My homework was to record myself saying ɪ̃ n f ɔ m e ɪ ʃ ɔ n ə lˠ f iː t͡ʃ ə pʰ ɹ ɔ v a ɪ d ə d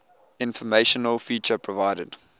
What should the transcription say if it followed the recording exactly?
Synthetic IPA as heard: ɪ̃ n f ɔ m e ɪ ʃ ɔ n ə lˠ f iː t͡ʃ ə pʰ ɹ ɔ v a ɪ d ə d